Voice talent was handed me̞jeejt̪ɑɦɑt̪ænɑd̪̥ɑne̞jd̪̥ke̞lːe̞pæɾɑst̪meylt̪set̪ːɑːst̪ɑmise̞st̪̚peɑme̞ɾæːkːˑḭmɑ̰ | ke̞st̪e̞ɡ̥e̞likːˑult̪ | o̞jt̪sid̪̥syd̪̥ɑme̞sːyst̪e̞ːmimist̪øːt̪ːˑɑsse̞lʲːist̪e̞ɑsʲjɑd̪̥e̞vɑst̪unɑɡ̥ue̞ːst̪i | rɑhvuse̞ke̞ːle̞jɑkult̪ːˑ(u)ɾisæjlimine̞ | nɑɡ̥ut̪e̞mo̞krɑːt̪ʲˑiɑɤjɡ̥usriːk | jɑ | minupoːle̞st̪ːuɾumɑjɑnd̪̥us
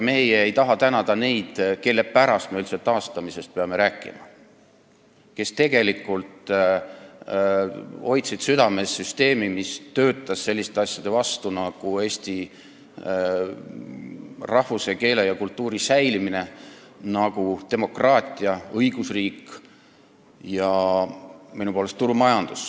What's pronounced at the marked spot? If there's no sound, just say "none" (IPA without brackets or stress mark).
uː